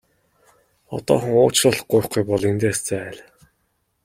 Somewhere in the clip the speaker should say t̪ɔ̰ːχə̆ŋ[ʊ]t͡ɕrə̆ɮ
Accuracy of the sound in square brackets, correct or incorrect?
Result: incorrect: ʊː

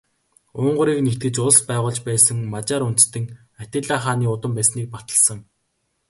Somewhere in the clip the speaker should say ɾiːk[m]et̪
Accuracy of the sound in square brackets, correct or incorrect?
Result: incorrect: n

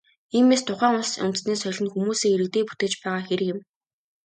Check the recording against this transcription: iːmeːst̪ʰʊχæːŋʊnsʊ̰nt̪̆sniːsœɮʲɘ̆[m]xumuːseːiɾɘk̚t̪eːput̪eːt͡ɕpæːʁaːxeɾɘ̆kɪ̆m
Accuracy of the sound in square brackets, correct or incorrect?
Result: incorrect: n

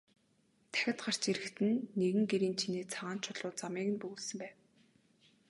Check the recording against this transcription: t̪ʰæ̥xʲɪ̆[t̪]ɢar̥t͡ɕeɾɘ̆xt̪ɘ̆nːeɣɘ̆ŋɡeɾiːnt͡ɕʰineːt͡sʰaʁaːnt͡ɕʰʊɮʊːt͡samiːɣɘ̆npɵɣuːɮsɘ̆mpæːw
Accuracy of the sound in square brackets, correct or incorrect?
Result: correct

